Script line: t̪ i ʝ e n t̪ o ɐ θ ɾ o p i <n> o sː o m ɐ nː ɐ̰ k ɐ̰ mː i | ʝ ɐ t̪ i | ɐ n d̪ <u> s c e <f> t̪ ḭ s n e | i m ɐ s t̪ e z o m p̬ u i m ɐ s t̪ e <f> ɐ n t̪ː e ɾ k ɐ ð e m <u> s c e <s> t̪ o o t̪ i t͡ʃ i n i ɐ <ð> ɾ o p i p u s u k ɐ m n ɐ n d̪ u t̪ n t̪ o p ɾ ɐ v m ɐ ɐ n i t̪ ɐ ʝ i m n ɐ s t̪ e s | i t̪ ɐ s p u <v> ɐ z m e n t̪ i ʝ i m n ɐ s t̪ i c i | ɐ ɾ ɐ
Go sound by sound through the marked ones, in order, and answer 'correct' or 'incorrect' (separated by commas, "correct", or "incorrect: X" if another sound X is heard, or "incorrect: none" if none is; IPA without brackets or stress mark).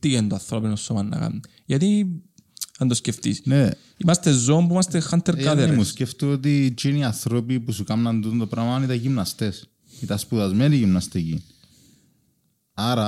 correct, incorrect: o, correct, incorrect: x, correct, incorrect: f, incorrect: θ, incorrect: ð